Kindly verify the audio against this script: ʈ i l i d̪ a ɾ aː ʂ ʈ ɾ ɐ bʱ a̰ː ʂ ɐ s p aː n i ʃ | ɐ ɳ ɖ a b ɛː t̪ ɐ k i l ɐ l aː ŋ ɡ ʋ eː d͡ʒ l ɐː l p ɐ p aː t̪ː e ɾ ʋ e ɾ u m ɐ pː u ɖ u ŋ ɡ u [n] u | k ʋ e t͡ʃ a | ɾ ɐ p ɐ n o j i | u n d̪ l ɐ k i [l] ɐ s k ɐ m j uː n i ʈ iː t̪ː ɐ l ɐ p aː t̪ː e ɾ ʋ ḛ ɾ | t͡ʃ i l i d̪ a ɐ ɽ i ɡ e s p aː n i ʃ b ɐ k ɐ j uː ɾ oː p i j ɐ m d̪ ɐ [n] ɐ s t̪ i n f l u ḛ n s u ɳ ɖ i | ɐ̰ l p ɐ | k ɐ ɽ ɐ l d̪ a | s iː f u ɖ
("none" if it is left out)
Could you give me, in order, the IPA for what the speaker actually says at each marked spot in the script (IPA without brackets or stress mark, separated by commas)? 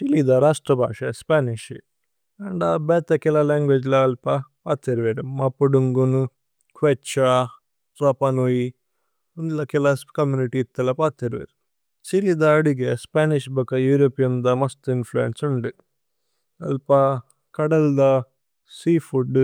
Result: n, l, m